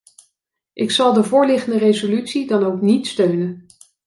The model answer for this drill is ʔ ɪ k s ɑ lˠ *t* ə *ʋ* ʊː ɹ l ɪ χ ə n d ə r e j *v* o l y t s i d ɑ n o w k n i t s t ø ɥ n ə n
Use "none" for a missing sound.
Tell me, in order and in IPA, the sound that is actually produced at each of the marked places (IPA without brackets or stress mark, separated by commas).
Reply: d, v, z